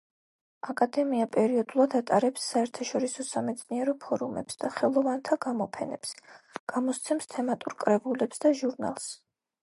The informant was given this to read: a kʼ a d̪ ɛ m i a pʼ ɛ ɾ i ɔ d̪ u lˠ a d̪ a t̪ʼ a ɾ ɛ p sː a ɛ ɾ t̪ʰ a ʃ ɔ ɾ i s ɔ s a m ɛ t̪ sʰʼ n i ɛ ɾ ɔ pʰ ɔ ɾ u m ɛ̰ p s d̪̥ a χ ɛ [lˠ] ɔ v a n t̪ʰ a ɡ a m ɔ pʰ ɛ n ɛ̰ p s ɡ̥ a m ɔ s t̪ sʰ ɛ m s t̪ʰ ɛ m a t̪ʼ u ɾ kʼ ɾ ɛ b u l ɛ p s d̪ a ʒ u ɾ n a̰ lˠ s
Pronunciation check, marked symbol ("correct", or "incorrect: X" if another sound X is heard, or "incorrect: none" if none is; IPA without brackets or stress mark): correct